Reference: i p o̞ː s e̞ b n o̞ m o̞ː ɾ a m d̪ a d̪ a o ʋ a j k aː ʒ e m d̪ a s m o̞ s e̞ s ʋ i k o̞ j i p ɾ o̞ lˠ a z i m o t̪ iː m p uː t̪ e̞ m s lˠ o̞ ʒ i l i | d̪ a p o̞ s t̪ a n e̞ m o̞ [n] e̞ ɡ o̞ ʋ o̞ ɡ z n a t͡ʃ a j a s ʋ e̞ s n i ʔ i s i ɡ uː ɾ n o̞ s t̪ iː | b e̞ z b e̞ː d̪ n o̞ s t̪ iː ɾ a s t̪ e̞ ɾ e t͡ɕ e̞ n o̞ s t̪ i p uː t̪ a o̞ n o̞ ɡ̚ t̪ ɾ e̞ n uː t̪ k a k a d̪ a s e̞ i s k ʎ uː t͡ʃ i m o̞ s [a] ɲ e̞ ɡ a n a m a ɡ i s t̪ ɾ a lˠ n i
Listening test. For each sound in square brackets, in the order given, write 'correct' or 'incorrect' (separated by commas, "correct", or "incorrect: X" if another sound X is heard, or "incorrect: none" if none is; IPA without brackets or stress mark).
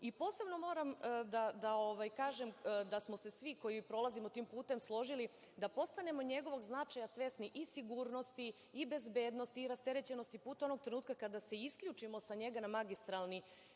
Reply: incorrect: ɲ, correct